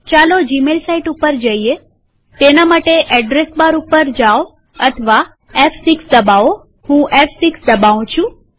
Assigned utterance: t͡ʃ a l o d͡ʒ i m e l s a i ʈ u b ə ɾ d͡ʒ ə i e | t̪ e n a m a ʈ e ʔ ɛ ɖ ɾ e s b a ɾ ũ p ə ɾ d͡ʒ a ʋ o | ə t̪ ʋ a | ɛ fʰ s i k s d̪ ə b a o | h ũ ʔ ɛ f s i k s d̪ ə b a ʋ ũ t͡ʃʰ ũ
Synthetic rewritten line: t͡ʃ a l o d͡ʒ i m e l s a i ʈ u p ə ɾ d͡ʒ ə i e | t̪ e n a m a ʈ e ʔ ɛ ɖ ɾ e s b a ɾ u p ə ɾ d͡ʒ a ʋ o | ə t̪ʰ ʋ a | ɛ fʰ s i k s d̪ ə b a o | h ũ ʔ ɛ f s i k s d̪ ə b a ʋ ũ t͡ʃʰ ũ